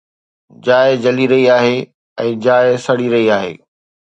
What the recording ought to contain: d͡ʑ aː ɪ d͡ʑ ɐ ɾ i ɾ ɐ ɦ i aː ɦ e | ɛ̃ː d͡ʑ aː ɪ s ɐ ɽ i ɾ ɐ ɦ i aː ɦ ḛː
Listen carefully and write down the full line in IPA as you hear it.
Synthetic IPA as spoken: d͡ʑ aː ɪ d͡ʑ ɐ l i ɾ ɐ ɦ i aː ɦ e | ɛ̃ː d͡ʑ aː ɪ s ɐ ɽ i ɾ ɐ ɦ i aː ɦ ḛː